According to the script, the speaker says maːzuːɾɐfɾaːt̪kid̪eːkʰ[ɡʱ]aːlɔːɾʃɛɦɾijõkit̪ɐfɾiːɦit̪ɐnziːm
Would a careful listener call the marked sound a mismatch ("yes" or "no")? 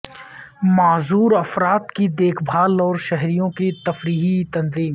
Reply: yes